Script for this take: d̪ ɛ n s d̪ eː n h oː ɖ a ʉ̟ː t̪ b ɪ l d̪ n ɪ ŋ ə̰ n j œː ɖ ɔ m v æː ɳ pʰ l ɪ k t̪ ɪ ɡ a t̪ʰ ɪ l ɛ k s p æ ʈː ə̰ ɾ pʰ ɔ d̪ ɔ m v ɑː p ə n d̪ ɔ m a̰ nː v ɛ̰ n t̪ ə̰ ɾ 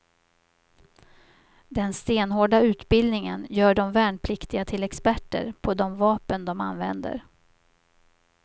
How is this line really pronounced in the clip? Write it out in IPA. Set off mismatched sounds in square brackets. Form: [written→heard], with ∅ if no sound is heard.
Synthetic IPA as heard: d̪ ɛ n s [d̪→t̪] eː n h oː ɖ a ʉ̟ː t̪ b ɪ l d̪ n ɪ ŋ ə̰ n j œː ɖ ɔ m v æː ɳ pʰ l ɪ k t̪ ɪ ɡ a t̪ʰ ɪ l ɛ k s p æ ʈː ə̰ ɾ pʰ ɔ d̪ ɔ m v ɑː p ə n d̪ ɔ m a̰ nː v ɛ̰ n [t̪→d̪] ə̰ ɾ